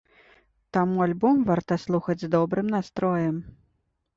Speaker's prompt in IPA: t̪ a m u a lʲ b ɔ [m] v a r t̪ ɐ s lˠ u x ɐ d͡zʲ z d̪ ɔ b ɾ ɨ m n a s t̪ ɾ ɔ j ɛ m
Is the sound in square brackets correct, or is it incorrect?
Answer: correct